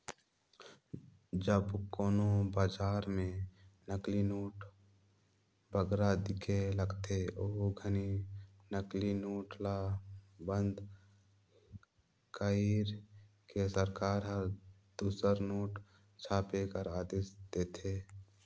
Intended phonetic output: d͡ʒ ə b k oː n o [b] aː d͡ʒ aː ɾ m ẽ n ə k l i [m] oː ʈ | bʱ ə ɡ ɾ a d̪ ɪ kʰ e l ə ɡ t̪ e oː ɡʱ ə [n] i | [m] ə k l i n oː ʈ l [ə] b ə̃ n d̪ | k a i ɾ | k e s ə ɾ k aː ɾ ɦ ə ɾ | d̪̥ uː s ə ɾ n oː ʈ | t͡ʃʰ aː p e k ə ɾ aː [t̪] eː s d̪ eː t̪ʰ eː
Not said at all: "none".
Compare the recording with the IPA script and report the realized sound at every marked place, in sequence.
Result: b, n, n, n, a, d̪

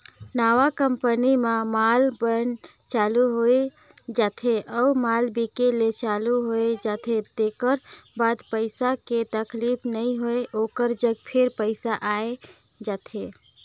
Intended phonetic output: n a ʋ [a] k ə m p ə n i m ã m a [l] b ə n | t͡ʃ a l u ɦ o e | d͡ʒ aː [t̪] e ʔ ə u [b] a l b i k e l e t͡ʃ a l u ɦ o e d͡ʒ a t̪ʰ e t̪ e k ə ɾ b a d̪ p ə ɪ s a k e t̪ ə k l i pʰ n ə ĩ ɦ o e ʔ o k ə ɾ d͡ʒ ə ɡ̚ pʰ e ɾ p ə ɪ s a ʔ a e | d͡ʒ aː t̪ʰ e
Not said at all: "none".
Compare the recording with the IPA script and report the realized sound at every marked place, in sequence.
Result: a, l, t̪ʰ, m

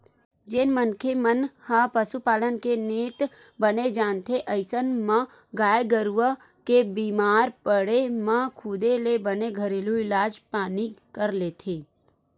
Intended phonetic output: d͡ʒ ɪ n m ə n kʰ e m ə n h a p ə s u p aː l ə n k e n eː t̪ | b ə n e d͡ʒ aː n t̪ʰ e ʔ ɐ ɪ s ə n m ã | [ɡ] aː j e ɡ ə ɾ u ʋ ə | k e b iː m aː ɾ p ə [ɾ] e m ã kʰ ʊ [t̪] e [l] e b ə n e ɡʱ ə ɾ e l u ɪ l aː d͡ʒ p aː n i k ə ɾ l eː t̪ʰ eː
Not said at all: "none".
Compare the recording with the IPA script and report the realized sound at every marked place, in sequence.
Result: ɡ, ɽ, d̪, l

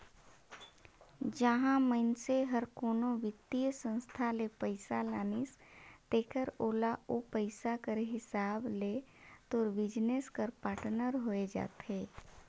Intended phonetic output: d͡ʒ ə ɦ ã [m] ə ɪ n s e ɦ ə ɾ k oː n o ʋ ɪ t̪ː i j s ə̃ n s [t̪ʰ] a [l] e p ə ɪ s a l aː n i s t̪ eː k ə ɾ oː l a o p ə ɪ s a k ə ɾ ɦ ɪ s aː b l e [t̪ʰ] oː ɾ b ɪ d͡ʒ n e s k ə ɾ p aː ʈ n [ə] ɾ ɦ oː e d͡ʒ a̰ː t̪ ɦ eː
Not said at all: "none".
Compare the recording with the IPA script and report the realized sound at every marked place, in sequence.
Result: m, t̪ʰ, l, t̪, ə

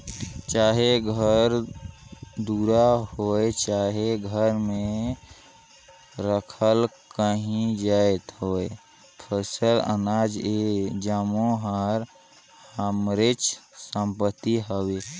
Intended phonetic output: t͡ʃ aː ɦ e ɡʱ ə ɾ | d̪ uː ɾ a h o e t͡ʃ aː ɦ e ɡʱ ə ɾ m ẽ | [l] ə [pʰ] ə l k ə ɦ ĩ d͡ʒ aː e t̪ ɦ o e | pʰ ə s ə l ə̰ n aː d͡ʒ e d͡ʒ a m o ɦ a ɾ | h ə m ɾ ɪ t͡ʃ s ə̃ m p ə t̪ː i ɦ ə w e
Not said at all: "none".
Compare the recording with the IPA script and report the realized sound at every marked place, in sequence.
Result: ɾ, kʰ

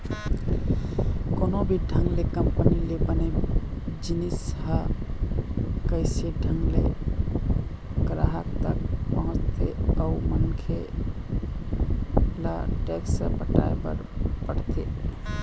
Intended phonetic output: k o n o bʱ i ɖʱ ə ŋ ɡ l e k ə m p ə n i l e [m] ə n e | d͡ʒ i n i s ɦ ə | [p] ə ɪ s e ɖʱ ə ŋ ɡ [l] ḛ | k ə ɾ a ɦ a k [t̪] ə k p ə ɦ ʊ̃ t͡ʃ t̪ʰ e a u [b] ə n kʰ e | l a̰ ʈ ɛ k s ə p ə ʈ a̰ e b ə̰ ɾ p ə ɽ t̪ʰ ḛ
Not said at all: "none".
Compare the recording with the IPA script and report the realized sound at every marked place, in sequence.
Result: b, k, l, t̪, m

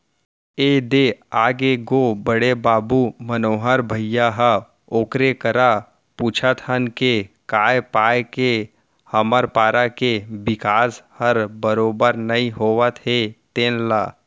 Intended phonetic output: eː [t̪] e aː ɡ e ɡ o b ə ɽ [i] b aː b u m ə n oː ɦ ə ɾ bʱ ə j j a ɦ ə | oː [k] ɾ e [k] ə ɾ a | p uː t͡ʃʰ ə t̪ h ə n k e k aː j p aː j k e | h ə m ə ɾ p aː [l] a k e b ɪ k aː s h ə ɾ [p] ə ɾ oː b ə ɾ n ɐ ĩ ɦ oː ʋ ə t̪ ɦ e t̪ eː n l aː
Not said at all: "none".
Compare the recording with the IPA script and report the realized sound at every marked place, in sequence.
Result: d̪, e, k, k, ɾ, b

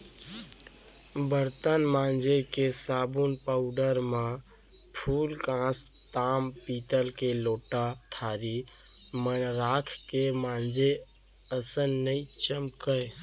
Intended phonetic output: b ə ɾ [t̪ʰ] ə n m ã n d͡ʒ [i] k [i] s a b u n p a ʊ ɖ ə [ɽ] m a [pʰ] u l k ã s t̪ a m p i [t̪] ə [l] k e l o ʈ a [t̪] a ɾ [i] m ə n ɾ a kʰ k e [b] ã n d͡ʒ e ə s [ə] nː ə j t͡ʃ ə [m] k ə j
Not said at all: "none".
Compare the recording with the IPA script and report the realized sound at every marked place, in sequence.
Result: t̪, e, e, ɾ, pʰ, t̪, l, t̪ʰ, i, m, ə, m

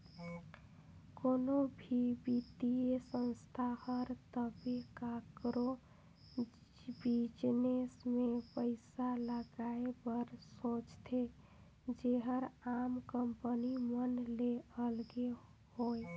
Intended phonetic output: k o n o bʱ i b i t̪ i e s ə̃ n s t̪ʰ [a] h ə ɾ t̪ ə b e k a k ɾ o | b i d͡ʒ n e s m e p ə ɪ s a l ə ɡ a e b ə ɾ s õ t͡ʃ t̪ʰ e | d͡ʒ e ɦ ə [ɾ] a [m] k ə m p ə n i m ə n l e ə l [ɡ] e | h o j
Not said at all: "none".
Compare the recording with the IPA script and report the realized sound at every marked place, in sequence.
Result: a, ɾ, m, ɡ

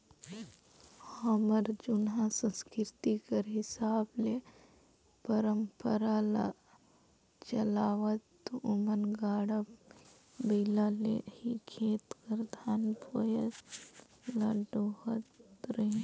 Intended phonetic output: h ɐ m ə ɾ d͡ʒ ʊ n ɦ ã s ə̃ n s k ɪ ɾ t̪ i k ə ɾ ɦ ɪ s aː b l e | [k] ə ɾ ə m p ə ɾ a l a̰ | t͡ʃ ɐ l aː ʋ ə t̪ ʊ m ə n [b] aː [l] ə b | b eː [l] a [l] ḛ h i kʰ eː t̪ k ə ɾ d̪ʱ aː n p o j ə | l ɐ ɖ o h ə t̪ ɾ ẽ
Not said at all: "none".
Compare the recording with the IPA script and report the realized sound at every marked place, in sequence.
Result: p, ɡ, ɽ, l, l

